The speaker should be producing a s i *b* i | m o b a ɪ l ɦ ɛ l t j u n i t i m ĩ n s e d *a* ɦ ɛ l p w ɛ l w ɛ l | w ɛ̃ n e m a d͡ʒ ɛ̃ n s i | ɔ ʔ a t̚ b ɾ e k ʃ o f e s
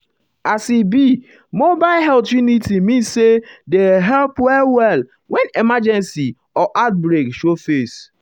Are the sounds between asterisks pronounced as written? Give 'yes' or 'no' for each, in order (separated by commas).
yes, no